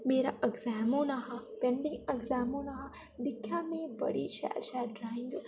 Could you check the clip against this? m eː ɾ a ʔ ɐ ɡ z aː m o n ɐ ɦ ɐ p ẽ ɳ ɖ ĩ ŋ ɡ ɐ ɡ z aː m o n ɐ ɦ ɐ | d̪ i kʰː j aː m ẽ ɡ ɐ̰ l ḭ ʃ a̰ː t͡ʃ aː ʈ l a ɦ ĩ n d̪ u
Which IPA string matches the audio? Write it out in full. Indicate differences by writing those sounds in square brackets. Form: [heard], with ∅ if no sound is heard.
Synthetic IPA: m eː ɾ a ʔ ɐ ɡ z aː m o n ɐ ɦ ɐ p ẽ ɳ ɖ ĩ ŋ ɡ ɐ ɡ z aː m o n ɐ ɦ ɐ | d̪ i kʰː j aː m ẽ [b] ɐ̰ [ɽ] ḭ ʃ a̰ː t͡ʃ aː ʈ [ɾ] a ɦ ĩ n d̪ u